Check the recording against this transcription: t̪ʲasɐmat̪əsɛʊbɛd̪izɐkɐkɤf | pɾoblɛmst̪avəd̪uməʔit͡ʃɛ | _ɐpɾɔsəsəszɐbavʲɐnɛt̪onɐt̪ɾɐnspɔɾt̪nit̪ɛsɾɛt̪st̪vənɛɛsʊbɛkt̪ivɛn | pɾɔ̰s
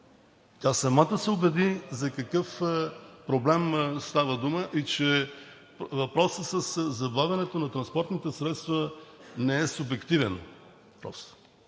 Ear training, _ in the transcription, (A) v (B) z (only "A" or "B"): A